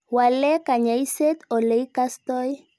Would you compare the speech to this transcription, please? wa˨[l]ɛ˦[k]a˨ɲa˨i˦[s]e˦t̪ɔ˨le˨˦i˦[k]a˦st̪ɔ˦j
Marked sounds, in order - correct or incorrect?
correct, correct, correct, correct

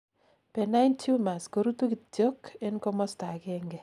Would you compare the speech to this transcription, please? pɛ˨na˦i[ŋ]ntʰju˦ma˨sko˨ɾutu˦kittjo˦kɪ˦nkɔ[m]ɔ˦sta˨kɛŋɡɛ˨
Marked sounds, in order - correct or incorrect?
incorrect: none, correct

